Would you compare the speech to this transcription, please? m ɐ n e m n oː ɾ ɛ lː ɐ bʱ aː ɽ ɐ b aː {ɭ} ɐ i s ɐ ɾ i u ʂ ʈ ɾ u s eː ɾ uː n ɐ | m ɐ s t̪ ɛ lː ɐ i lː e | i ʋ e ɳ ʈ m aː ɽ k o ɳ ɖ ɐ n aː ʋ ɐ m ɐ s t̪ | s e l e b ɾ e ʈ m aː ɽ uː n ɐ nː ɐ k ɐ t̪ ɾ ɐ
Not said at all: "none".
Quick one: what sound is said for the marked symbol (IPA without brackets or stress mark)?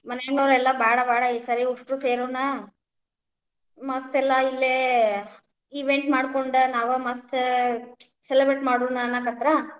ɽ